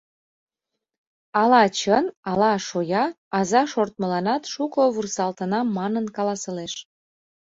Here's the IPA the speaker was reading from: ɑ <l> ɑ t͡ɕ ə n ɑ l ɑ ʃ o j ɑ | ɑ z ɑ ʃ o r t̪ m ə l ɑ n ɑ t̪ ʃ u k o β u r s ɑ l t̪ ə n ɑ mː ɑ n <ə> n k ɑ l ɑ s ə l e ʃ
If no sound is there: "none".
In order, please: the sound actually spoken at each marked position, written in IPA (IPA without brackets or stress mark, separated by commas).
l, ə